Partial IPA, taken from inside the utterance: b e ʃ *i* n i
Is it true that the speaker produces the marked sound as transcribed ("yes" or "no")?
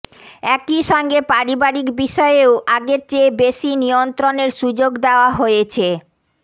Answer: yes